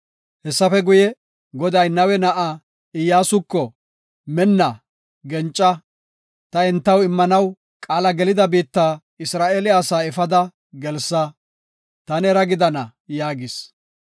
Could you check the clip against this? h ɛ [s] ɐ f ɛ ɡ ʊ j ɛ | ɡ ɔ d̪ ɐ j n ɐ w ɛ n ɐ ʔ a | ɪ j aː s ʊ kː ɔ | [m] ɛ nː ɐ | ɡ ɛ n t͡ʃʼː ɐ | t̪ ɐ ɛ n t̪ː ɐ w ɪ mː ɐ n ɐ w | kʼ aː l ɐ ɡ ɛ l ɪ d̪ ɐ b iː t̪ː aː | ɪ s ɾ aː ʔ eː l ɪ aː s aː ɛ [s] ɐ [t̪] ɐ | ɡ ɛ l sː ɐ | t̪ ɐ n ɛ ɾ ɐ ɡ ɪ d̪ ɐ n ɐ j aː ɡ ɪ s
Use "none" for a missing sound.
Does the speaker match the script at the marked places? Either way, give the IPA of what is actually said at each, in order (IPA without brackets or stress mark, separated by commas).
sː, m, f, d̪